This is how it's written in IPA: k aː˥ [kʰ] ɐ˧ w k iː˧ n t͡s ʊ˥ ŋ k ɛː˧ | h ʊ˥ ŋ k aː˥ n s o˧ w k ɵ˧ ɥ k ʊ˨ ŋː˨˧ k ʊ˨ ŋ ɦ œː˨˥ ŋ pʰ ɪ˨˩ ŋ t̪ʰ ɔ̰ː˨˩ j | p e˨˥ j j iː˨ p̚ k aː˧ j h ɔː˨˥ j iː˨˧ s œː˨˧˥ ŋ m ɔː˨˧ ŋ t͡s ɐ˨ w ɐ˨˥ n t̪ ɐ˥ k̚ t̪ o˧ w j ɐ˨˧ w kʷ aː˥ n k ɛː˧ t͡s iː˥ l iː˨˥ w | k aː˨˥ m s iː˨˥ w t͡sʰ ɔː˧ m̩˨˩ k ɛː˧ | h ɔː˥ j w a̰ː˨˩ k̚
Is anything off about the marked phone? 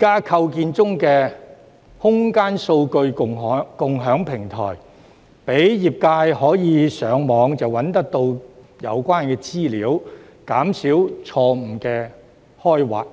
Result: no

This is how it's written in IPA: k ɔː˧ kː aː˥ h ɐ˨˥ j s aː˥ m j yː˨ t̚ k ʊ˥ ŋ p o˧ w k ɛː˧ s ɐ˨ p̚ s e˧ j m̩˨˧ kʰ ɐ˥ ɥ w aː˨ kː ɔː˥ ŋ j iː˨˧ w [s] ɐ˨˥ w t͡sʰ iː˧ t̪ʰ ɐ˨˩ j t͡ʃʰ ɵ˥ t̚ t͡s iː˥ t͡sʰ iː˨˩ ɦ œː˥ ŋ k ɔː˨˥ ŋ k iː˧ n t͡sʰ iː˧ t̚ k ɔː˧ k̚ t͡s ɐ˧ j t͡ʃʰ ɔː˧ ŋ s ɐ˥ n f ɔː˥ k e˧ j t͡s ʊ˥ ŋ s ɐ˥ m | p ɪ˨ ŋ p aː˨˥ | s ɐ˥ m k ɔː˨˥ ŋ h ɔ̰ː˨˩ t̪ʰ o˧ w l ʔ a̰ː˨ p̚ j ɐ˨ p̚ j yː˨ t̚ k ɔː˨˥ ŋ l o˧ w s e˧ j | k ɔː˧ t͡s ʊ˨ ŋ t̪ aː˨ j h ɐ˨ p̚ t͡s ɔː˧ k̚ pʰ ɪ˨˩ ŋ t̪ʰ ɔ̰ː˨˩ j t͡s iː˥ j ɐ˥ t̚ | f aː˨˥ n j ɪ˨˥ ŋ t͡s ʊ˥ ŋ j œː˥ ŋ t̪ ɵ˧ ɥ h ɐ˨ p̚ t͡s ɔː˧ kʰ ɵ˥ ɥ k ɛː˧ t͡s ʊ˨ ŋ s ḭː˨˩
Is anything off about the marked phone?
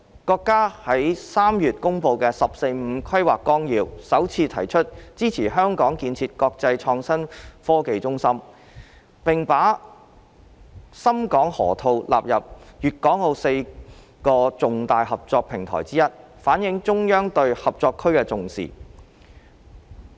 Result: no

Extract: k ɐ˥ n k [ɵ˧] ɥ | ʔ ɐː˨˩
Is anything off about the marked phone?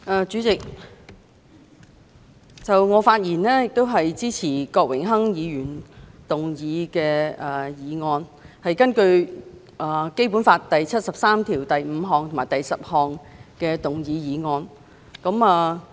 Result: no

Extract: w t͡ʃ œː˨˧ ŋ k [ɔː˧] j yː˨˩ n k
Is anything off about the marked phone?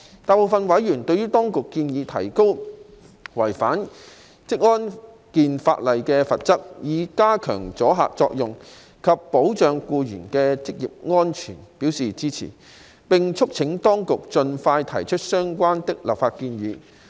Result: yes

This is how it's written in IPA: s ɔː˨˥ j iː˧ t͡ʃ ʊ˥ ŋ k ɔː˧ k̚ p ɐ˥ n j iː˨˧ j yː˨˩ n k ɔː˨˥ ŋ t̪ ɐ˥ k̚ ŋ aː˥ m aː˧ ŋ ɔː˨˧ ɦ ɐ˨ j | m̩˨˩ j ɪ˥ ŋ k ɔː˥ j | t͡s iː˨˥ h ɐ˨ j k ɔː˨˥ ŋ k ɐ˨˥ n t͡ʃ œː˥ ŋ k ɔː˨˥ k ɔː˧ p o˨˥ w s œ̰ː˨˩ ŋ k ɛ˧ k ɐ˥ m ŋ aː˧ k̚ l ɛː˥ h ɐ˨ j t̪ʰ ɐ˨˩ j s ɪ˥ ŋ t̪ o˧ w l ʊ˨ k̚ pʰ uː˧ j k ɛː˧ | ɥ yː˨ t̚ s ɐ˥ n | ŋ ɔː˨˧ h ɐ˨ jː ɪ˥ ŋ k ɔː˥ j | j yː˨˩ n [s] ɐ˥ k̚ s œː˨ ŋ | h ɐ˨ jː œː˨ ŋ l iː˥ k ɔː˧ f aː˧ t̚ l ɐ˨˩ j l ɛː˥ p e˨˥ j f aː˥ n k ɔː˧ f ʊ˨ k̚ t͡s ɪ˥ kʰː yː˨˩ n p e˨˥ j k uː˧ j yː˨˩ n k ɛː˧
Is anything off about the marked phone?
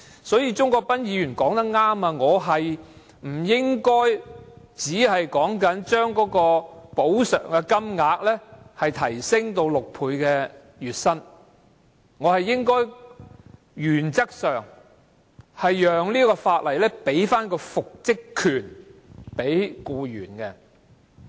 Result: yes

